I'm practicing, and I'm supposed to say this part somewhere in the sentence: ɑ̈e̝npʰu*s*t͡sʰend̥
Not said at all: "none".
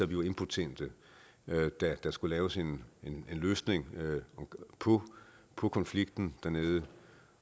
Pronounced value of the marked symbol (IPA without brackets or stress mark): none